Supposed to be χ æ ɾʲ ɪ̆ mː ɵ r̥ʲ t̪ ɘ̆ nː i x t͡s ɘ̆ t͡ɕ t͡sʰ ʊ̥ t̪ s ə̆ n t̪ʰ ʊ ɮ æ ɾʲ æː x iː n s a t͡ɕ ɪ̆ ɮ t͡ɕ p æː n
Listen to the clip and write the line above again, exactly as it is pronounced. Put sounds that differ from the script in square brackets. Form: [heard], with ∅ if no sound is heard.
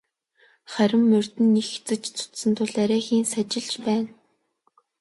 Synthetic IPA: χ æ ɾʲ ɪ̆ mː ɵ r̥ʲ t̪ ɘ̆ nː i x t͡s ɘ̆ t͡ɕ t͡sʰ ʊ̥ t̪ s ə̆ n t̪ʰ ʊ ɮ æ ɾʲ æː x iː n s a t͡ɕ ɪ̆ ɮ t͡ɕ p æː n